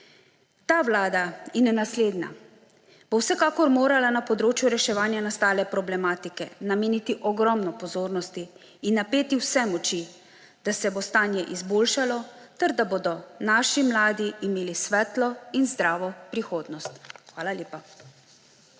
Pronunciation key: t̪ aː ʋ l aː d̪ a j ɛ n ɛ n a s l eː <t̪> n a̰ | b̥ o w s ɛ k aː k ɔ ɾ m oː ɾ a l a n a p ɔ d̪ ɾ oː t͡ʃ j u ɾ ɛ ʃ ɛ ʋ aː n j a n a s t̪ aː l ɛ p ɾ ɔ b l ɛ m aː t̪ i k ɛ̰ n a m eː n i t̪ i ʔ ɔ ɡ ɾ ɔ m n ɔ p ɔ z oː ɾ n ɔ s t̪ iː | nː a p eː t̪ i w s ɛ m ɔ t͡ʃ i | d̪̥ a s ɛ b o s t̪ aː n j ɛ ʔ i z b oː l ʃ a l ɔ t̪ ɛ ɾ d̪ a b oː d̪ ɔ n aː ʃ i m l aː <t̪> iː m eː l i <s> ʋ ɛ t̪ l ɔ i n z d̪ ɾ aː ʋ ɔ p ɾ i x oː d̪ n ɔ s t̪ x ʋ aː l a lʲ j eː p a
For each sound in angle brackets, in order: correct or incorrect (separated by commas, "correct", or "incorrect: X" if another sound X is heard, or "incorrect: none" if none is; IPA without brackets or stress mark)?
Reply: incorrect: d̪, incorrect: d̪, correct